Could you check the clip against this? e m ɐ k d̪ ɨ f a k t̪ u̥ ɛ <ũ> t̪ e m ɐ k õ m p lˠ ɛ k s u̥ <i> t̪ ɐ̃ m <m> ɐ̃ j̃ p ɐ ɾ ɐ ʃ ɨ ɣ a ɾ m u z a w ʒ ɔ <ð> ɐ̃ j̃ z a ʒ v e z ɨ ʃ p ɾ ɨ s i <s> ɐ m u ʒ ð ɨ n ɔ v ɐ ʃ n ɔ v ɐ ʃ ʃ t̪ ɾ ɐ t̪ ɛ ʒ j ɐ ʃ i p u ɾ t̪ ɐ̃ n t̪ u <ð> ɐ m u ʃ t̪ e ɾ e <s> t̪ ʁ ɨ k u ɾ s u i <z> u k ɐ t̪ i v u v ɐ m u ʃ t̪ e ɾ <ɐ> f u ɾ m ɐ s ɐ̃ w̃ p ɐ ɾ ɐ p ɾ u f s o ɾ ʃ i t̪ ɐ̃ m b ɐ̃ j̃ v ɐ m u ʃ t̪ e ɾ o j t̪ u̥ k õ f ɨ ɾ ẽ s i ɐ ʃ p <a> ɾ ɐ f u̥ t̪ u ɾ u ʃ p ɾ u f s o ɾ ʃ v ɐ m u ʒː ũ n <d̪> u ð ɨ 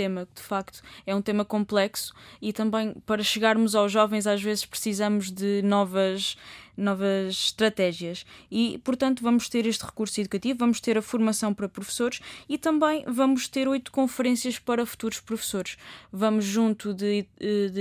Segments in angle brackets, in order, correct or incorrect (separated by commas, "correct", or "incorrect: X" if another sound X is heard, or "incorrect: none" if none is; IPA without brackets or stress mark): correct, correct, incorrect: b, incorrect: v, incorrect: z, incorrect: v, incorrect: ʃ, incorrect: ð, correct, incorrect: ɐ, incorrect: t̪